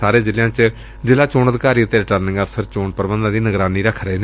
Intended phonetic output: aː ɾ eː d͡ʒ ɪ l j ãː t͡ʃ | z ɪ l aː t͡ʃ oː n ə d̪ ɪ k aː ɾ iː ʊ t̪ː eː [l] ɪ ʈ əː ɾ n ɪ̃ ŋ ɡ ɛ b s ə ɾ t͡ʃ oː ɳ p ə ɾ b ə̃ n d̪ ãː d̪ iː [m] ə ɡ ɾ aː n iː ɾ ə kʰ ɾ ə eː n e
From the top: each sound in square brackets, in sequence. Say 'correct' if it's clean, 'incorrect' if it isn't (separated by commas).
incorrect, incorrect